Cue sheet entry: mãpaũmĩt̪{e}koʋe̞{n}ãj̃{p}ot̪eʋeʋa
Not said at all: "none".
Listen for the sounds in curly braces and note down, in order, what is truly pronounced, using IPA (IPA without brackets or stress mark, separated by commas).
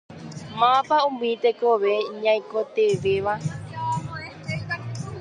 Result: e, ɲ, k